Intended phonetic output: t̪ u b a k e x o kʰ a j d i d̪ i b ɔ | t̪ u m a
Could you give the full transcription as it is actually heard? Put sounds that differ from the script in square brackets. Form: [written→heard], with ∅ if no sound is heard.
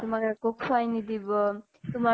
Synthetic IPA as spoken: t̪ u [b→m] a k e [x→k] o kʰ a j [d→n] i d̪ i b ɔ | t̪ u m a